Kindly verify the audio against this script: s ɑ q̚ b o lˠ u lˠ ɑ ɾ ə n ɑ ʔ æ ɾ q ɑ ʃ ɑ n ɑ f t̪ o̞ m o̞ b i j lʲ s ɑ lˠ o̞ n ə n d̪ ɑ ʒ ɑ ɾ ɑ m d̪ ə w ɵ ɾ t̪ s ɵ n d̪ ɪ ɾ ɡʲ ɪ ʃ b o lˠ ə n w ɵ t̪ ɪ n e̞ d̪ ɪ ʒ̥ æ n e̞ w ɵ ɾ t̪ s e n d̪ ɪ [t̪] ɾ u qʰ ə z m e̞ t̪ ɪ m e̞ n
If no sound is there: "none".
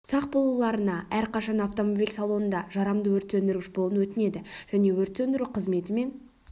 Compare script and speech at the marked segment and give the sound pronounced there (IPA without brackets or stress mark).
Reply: none